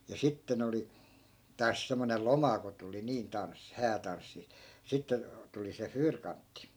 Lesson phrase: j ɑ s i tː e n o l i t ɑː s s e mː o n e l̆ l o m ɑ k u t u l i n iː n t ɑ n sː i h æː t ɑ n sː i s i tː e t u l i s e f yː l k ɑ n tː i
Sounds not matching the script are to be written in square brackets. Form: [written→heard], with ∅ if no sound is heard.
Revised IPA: j ɑ s i tː e n o l i t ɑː s s e mː o n e l̆ l o m ɑ k [u→o] t u l i n iː n t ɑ n sː i h æː t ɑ n sː i s i tː e t u l i s e f yː [l→r] k ɑ n tː i